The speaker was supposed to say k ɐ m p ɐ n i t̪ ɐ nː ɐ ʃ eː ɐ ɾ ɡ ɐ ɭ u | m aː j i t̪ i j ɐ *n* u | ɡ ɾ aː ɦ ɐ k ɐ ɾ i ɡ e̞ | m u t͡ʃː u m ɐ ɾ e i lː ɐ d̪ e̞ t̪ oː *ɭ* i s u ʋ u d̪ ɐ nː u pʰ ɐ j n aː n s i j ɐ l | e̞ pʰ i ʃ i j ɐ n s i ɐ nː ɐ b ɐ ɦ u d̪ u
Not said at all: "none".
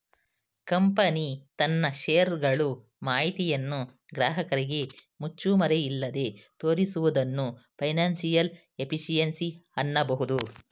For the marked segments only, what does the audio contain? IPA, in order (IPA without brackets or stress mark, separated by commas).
nː, ɾ